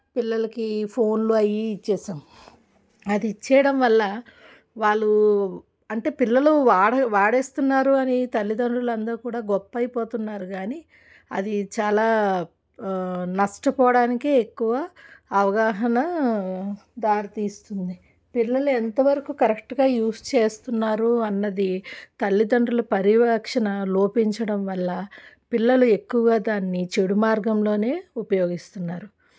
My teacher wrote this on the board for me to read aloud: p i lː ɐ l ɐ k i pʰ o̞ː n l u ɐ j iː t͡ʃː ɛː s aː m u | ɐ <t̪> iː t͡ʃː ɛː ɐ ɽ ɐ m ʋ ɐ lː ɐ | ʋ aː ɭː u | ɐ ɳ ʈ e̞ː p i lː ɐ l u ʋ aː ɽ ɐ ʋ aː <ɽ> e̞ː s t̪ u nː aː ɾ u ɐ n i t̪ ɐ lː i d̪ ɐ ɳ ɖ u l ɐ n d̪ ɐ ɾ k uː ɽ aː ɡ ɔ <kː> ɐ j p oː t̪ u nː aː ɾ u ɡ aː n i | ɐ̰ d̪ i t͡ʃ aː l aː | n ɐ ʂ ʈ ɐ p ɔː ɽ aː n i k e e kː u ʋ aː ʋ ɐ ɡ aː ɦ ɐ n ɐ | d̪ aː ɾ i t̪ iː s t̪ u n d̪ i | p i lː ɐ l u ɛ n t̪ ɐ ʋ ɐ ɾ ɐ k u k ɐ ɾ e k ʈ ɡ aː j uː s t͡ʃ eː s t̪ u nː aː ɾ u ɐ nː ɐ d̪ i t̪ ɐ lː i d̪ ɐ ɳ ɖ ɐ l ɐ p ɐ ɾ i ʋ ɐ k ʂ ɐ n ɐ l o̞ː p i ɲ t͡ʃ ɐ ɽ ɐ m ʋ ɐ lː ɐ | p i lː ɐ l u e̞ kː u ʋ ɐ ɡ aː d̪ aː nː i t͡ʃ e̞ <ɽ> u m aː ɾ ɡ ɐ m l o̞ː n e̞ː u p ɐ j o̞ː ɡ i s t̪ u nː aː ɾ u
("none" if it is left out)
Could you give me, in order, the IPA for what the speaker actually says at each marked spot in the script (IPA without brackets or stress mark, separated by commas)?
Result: d̪, ɽ, pː, ɽ